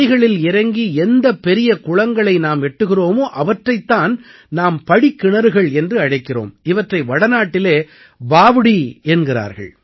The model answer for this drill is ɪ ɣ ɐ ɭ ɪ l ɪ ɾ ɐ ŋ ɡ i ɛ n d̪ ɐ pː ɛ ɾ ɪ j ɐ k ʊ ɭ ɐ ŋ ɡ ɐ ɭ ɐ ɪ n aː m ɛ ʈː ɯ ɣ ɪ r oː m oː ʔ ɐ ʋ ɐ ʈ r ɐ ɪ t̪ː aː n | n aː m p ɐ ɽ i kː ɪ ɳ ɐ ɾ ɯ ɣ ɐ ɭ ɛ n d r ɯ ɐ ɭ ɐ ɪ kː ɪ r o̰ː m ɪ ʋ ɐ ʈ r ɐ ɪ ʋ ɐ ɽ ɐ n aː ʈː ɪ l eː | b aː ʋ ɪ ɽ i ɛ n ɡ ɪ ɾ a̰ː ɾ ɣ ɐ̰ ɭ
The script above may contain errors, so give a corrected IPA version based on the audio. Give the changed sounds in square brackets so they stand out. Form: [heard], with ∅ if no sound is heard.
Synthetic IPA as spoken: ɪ ɣ ɐ ɭ ɪ l ɪ ɾ ɐ ŋ ɡ i ɛ n d̪ ɐ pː ɛ ɾ ɪ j ɐ k ʊ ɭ ɐ ŋ ɡ ɐ ɭ ɐ ɪ n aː m ɛ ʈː ɯ ɣ ɪ r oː m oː ʔ ɐ ʋ ɐ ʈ r ɐ ɪ t̪ː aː n | n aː m p ɐ ɽ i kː ɪ ɳ ɐ ɾ ɯ ɣ ɐ ɭ ɛ n d r ɯ ɐ [ɽ] ɐ ɪ kː ɪ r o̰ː m ɪ ʋ ɐ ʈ r ɐ ɪ ʋ ɐ ɽ ɐ n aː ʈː ɪ l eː | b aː ʋ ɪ ɽ i ɛ n ɡ ɪ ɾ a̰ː ɾ ɣ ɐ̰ ɭ